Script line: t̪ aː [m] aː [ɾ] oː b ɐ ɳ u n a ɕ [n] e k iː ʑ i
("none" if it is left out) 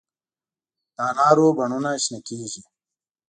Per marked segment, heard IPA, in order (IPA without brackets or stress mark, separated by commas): n, ɾ, n